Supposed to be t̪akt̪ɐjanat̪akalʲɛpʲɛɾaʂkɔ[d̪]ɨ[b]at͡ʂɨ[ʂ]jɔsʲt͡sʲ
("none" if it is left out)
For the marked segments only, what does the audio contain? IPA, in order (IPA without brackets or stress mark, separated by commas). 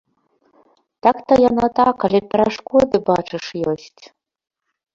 d̪, b, ʂ